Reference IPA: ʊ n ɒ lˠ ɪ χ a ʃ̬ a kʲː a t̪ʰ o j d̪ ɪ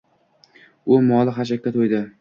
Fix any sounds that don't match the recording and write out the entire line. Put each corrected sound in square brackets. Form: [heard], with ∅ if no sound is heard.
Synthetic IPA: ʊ [m] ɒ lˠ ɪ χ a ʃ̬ a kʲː a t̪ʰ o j d̪ ɪ